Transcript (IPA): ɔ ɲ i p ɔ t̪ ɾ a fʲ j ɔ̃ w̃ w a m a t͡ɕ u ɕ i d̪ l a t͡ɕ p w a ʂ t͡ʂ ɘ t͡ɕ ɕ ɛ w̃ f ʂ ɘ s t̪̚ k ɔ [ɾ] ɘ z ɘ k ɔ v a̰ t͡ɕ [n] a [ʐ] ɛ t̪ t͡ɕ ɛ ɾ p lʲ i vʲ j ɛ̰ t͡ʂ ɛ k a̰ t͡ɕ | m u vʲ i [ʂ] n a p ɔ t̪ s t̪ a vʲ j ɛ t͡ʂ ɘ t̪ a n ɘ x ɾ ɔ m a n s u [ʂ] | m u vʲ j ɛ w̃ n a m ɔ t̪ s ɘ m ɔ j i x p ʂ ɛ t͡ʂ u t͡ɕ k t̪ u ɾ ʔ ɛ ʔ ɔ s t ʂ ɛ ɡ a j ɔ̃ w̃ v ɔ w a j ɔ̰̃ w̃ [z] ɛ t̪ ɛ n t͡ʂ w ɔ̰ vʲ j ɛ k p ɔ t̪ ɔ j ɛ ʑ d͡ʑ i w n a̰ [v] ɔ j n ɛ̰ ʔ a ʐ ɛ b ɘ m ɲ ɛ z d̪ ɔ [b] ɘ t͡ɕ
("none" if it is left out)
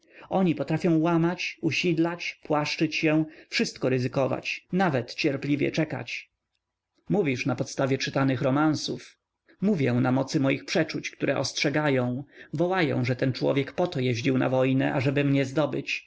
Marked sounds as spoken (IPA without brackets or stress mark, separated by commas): ɾ, n, v, ʂ, f, ʐ, v, b